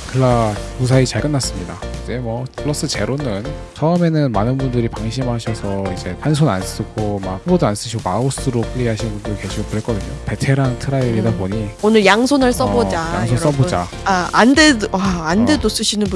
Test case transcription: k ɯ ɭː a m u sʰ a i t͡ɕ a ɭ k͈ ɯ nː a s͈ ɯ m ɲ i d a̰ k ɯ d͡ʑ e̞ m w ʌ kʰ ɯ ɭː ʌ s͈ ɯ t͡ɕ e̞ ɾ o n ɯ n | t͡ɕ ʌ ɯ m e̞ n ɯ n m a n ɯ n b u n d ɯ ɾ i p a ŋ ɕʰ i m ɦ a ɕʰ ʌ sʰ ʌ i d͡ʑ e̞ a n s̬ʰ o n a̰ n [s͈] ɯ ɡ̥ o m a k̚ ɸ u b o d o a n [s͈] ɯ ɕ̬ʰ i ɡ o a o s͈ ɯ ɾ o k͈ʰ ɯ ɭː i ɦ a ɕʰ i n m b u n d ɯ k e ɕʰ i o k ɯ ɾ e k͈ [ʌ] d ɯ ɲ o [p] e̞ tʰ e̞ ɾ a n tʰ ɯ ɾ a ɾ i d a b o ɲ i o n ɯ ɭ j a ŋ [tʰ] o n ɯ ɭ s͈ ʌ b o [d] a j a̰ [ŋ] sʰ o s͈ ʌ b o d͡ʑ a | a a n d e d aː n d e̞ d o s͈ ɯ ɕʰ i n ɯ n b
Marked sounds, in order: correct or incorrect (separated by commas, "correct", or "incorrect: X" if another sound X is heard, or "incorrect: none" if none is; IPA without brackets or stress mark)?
correct, correct, correct, correct, incorrect: sʰ, incorrect: d͡ʑ, correct